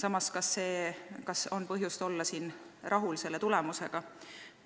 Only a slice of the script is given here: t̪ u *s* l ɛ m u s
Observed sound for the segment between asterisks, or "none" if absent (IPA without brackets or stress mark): none